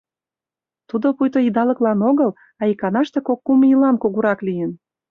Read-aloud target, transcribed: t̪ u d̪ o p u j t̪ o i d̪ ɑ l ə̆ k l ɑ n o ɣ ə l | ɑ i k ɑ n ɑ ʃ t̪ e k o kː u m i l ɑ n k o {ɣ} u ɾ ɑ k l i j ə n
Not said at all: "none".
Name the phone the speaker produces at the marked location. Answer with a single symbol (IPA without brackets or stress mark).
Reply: ɣ